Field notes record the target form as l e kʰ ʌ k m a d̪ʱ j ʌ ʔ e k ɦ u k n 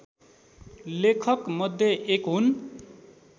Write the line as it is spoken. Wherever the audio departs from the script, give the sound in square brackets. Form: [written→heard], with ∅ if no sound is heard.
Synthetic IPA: l e kʰ ʌ k m [a→ʌ] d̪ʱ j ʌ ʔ e k ɦ u [k→∅] n